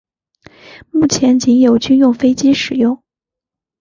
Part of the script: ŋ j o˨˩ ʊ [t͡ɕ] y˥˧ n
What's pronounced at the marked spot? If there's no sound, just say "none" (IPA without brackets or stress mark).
t͡ɕ